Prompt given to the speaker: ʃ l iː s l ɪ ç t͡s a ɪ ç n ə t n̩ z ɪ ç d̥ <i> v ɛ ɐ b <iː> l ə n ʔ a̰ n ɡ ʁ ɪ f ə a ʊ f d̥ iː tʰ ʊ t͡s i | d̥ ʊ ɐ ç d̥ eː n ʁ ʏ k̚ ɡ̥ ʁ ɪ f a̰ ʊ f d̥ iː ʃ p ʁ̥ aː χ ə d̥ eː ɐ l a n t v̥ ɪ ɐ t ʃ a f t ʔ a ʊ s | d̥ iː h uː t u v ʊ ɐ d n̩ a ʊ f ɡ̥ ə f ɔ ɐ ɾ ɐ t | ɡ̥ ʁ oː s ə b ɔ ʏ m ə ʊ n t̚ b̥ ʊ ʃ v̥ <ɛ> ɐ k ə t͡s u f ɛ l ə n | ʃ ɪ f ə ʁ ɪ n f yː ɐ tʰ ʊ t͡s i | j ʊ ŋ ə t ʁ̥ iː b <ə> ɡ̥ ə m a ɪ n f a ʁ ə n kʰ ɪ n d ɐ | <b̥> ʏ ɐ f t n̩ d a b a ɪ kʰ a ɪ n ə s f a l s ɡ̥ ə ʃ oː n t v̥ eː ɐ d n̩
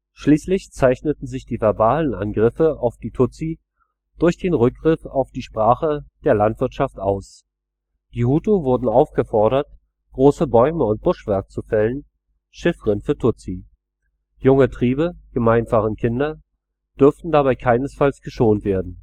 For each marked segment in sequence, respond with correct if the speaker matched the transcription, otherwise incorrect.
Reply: incorrect: iː, incorrect: aː, correct, correct, incorrect: d̥

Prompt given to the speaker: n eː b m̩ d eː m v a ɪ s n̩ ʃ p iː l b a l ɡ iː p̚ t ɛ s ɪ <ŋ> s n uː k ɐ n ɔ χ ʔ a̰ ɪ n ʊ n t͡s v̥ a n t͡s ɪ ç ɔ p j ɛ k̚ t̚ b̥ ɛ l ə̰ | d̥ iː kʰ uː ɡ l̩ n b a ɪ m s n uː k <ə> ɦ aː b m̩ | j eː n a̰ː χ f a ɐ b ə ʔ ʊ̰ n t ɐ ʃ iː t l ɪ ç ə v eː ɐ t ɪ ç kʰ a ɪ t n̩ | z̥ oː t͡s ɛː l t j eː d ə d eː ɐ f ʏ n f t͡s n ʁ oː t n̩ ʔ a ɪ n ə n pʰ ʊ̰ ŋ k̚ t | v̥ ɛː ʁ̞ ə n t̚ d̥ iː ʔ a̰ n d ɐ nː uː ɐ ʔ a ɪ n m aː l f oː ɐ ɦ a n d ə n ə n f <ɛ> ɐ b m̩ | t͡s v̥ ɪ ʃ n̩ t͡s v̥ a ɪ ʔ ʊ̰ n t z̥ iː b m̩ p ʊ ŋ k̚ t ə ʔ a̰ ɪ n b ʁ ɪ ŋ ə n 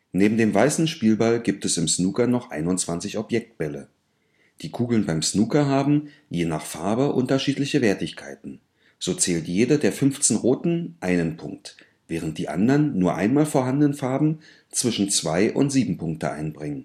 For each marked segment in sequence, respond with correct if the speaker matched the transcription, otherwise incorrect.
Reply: incorrect: m, incorrect: ɐ, incorrect: a

